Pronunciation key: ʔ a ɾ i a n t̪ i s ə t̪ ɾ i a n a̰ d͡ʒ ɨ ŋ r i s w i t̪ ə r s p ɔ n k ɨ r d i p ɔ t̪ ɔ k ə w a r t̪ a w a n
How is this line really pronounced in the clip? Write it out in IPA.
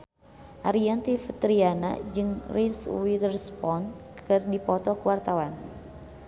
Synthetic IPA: ʔ a ɾ i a n t̪ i f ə t̪ ɾ i a n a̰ d͡ʒ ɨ ŋ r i s w i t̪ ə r s p ɔ n k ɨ r d i p ɔ t̪ ɔ k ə w a r t̪ a w a n